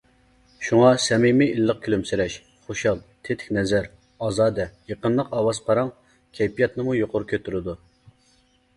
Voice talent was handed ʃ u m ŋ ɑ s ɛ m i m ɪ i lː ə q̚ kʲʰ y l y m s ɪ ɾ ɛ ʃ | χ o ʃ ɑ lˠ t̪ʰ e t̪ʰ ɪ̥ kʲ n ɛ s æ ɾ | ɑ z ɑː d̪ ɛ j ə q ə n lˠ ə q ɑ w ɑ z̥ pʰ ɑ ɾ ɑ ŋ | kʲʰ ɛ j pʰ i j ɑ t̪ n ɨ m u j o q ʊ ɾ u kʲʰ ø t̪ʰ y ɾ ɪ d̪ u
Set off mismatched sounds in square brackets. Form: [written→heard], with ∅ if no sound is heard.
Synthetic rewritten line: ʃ u [m→∅] ŋ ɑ s ɛ m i m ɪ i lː ə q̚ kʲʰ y l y m s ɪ ɾ ɛ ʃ | χ o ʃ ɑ lˠ t̪ʰ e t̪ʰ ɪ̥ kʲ n ɛ [s→z] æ ɾ | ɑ z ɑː d̪ ɛ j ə q ə n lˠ ə q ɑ w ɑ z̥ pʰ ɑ ɾ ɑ ŋ | kʲʰ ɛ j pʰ i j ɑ t̪ n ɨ m u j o q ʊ ɾ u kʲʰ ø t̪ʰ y ɾ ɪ d̪ u